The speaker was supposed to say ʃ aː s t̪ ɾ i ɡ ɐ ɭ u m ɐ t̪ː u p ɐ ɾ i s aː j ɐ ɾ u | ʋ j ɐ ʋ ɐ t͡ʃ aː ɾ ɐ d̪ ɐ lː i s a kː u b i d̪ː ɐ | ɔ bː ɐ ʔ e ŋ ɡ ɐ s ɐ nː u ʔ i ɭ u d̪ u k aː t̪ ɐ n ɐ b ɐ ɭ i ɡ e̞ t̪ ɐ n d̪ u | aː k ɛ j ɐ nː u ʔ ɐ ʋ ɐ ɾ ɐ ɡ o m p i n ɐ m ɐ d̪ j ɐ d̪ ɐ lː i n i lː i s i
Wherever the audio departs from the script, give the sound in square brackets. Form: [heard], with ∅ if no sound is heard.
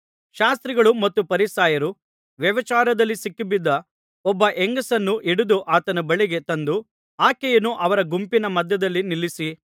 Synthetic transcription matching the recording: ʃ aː s t̪ ɾ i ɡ ɐ ɭ u m ɐ t̪ː u p ɐ ɾ i s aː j ɐ ɾ u | ʋ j ɐ ʋ ɐ t͡ʃ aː ɾ ɐ d̪ ɐ lː i s [i] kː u b i d̪ː ɐ | ɔ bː ɐ ʔ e ŋ ɡ ɐ s ɐ nː u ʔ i [ɽ] u d̪ u [ʔ] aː t̪ ɐ n ɐ b ɐ ɭ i ɡ e̞ t̪ ɐ n d̪ u | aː k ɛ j ɐ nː u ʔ ɐ ʋ ɐ ɾ ɐ ɡ [u] m p i n ɐ m ɐ d̪ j ɐ d̪ ɐ lː i n i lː i s i